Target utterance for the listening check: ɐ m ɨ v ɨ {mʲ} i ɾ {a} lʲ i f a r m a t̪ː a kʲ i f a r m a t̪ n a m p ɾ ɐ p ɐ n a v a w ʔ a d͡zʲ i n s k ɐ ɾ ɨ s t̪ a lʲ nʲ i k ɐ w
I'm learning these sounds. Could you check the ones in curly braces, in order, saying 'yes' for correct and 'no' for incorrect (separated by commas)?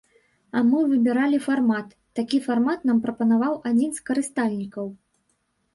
no, yes